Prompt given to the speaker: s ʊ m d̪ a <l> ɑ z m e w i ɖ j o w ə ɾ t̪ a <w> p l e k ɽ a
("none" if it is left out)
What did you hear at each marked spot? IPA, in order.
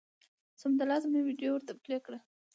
l, none

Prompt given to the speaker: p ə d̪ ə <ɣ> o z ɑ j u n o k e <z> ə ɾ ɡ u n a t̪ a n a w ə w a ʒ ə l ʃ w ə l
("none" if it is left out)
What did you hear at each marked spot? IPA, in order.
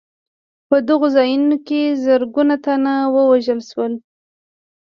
ɣ, z

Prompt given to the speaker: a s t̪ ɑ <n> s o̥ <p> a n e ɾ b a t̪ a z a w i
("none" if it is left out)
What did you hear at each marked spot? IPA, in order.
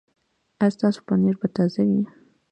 none, p

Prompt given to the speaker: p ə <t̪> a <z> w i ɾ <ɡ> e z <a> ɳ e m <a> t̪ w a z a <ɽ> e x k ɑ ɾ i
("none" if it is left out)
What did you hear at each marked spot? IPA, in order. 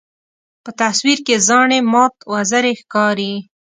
t̪, s, k, ɑ, ɑ, ɾ

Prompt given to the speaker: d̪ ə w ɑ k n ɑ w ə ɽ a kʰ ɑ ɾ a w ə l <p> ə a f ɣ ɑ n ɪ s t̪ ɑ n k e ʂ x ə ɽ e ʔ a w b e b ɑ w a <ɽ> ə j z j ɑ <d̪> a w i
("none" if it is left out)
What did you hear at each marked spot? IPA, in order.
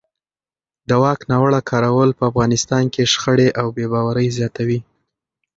p, ɾ, t̪

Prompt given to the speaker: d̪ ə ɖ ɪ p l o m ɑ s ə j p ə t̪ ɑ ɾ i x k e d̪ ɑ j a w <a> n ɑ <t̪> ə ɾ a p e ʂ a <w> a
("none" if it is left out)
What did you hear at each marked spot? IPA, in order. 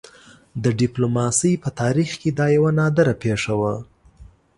a, d̪, w

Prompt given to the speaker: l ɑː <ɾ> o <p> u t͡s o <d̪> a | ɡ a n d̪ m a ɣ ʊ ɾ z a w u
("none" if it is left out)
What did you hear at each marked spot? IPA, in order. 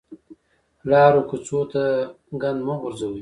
ɾ, k, t̪

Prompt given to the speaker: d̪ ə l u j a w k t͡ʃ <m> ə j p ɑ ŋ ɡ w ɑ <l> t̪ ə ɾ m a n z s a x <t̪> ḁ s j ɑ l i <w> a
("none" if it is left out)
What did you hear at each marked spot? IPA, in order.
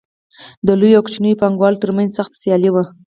n, l, t̪, w

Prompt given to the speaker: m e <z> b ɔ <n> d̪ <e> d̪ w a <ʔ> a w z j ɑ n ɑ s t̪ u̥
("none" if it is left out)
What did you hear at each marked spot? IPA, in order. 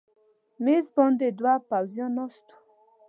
z, n, e, p

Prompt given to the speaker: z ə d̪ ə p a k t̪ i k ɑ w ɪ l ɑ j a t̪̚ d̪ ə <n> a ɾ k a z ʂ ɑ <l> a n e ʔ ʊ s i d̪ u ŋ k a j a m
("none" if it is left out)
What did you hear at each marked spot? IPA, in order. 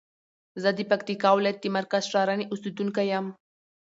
m, ɾ

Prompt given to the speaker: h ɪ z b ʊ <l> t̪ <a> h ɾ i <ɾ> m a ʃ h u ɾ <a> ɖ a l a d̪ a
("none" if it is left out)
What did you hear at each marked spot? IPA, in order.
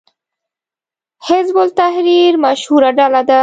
l, a, ɾ, a

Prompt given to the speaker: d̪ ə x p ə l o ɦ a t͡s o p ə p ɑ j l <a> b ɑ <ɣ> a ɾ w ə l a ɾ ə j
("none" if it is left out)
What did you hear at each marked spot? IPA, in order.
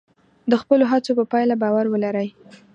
a, w

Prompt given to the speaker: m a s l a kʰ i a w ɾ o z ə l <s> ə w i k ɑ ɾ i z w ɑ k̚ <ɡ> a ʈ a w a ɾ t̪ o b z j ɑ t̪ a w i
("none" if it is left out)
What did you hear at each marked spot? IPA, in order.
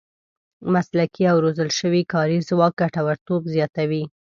ʃ, ɡ

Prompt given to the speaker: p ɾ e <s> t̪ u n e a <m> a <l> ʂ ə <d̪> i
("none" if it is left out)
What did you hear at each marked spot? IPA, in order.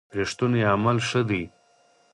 ʂ, m, l, d̪

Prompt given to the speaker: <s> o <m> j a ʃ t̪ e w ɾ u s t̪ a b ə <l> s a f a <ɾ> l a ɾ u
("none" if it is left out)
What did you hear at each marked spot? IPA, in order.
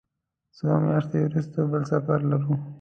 s, m, l, ɾ

